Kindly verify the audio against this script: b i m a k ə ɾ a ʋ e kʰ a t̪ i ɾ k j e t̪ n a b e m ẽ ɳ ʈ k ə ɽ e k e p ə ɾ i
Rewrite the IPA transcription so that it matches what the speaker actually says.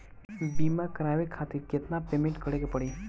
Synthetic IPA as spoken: b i m a k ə ɾ a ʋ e kʰ a t̪ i ɾ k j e t̪ n a p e m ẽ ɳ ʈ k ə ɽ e k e p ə ɽ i